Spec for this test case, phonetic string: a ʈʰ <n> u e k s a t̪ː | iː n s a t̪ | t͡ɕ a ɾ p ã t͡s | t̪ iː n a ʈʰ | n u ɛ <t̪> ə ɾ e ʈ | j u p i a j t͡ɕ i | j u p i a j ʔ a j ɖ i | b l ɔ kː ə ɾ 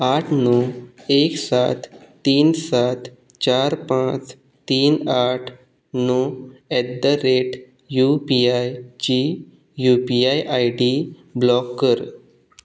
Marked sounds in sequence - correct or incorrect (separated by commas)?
correct, incorrect